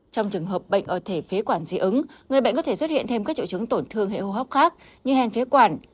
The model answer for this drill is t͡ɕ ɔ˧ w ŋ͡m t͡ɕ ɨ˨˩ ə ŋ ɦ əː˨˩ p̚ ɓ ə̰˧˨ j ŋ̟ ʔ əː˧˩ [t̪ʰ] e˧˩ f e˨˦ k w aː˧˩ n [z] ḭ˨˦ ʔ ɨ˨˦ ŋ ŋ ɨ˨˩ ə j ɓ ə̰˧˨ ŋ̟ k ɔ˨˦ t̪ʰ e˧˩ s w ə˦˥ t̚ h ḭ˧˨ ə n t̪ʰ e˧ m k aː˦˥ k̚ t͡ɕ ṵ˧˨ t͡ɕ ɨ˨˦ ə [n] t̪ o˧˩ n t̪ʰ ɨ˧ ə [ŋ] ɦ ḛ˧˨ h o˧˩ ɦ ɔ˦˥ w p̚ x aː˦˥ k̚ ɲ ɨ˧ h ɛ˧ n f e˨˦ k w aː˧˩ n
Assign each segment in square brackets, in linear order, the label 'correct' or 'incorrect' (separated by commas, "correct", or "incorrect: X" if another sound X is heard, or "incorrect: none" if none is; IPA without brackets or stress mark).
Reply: correct, correct, incorrect: ŋ, correct